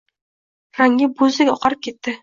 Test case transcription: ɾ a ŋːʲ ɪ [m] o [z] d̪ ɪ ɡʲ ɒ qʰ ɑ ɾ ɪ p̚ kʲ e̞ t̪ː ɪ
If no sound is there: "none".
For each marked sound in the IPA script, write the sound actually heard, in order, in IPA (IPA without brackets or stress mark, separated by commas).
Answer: b, z